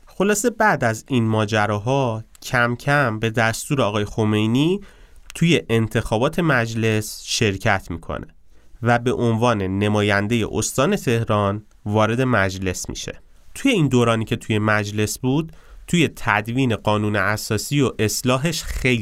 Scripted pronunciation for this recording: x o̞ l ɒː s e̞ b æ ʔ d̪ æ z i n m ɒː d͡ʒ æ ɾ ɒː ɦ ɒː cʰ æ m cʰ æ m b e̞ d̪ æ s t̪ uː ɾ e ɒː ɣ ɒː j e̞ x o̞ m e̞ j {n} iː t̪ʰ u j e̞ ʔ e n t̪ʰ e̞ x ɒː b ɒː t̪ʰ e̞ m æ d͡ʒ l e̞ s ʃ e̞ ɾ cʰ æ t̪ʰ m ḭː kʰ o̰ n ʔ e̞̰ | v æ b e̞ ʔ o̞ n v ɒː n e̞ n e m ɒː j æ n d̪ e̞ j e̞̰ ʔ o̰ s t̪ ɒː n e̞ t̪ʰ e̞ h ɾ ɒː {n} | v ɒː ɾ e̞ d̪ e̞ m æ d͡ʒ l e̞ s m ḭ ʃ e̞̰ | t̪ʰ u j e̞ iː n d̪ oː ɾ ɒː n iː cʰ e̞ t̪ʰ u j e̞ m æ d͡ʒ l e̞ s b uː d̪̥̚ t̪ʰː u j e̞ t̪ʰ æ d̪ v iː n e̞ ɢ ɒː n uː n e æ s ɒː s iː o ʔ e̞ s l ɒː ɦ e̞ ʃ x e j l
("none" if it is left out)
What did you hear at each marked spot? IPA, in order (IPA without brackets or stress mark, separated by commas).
n, n